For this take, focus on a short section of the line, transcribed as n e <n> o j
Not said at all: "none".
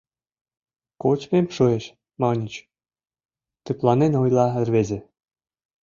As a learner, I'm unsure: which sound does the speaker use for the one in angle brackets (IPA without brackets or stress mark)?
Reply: n